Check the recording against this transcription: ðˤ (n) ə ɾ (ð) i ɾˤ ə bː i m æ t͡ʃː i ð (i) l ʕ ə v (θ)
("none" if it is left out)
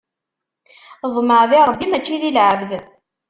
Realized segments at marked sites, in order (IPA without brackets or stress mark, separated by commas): m, ð, i, ð